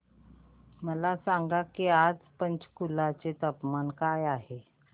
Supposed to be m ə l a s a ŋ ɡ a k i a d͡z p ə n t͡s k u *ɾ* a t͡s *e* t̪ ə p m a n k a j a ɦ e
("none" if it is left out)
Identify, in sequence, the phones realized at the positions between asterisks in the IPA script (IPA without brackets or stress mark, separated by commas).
l, e